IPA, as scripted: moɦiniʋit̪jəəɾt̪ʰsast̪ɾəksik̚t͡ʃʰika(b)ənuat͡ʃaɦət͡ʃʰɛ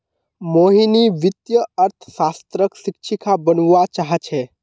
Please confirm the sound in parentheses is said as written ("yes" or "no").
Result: yes